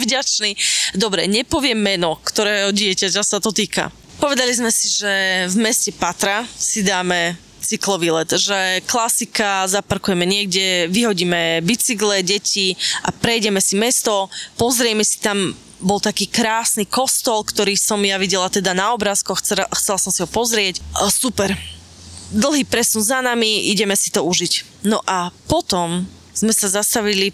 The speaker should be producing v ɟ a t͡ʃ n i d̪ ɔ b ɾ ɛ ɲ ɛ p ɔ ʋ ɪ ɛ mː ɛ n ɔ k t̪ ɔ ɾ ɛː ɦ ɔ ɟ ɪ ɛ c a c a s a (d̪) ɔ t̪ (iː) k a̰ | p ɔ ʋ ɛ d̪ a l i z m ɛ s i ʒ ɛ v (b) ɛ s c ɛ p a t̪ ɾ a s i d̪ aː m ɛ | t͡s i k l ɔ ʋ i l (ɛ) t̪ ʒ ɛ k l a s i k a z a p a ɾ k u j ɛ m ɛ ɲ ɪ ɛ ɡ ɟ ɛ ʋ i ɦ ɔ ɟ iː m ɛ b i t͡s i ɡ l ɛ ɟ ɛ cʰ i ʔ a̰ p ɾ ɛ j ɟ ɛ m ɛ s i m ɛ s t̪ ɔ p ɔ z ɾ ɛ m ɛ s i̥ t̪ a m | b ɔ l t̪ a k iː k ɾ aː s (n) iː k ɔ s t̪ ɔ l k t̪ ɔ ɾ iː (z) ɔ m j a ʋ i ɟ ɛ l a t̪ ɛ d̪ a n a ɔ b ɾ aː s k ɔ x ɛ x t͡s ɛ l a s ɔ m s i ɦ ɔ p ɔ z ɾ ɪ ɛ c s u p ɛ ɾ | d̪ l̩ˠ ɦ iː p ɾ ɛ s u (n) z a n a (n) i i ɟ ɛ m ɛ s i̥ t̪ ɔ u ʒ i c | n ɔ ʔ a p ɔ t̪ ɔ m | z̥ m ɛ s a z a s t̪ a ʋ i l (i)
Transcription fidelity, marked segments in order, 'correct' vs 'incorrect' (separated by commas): incorrect, correct, incorrect, correct, correct, incorrect, correct, incorrect, correct